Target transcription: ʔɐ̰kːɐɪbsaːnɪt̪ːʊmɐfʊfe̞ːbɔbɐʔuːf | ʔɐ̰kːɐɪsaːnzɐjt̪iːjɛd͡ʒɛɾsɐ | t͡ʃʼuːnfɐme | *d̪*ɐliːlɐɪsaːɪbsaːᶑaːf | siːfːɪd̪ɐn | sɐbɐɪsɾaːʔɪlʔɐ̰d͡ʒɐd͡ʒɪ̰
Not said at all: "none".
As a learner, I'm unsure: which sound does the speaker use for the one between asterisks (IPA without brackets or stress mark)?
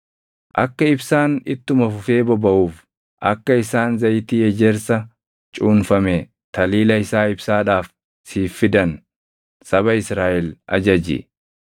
t̪